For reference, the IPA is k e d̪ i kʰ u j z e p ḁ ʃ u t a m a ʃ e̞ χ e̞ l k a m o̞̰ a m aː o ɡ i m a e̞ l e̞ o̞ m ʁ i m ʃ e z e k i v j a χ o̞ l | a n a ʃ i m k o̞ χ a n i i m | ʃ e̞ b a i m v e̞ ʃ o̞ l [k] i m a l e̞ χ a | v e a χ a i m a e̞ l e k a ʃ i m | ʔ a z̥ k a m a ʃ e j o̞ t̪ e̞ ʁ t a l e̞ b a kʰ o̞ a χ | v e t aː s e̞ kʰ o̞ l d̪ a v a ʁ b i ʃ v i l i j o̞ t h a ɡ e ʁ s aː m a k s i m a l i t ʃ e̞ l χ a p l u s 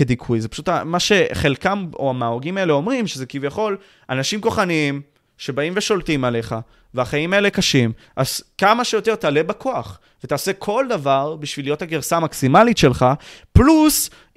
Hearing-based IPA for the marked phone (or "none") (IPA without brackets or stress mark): t